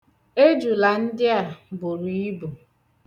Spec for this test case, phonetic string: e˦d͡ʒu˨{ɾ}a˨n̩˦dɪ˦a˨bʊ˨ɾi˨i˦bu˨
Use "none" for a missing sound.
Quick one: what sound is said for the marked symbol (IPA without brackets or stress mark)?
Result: l